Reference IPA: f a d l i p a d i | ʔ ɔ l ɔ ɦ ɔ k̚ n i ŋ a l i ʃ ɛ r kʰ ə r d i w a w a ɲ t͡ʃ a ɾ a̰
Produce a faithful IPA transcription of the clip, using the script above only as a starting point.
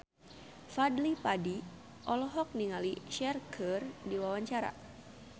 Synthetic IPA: f a d l i p a d i | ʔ ɔ l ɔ ɦ ɔ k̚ n i ŋ a l i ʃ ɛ r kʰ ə r d i w a w a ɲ t͡ʃ a ɾ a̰